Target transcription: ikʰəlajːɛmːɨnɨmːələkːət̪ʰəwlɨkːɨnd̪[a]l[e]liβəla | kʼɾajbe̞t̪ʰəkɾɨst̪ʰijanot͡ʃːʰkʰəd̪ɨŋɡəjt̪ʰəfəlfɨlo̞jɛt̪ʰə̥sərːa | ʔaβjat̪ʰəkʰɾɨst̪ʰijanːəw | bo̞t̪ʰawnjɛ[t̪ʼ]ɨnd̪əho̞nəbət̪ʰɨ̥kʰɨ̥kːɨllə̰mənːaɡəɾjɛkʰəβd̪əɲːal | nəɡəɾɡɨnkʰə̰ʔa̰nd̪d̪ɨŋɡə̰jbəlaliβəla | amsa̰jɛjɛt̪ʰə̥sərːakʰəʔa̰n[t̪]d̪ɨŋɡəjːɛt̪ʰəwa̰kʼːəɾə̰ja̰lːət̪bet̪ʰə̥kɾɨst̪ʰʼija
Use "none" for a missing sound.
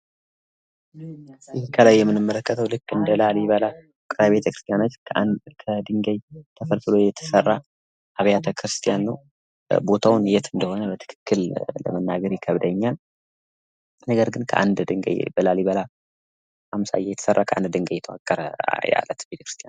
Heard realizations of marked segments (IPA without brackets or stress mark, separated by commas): ə, a, t̪, d̪